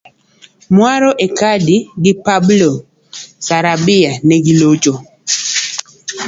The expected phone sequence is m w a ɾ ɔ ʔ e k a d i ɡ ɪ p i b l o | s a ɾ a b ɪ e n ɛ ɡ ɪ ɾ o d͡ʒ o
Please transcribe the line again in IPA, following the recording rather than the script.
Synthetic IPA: m w a ɾ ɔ ʔ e k a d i ɡ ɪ p a b l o | s a ɾ a b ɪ a n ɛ ɡ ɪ l o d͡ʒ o